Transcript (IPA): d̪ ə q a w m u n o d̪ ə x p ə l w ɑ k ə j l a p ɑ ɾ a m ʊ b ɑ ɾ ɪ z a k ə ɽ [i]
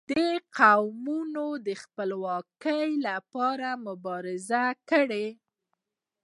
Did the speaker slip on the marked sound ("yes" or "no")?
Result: yes